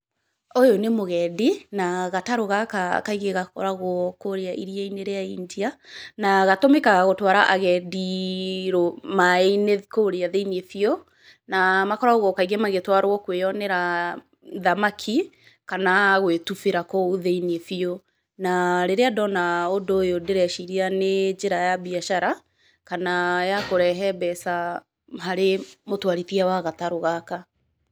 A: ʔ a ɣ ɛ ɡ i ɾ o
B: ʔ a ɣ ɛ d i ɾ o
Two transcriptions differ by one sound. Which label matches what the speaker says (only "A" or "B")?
B